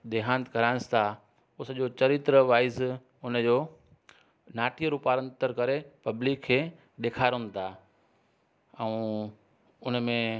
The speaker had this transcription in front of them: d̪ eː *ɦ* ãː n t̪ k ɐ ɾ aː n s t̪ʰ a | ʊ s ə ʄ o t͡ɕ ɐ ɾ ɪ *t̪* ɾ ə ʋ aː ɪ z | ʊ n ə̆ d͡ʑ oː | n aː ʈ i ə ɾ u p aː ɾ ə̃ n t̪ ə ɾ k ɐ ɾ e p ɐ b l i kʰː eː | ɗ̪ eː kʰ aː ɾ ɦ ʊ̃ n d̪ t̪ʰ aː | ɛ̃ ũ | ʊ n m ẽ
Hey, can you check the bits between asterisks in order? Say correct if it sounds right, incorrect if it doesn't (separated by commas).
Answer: correct, correct